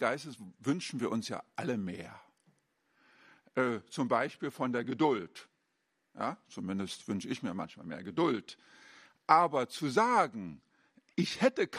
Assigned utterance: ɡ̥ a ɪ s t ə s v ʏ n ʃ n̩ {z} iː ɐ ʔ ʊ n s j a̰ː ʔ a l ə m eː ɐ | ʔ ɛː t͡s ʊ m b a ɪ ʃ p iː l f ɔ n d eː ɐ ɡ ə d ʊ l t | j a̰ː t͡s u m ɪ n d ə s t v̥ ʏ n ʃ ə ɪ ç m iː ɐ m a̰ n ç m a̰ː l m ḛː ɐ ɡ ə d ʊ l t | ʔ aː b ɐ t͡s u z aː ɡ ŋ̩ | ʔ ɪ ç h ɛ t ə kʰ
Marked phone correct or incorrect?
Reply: incorrect